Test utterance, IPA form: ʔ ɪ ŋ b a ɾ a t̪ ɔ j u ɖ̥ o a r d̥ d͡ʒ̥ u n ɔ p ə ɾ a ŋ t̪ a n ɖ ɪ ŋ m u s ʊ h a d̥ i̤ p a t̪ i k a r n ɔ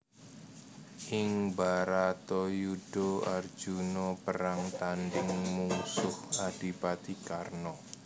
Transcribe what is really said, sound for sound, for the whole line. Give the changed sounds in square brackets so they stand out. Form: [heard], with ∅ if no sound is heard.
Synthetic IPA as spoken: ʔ ɪ ŋ b a ɾ a t̪ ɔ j u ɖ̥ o a r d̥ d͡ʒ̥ u n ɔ p ə ɾ a ŋ t̪ a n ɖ ɪ ŋ m u s ʊ h a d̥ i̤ p a t̪ i k a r n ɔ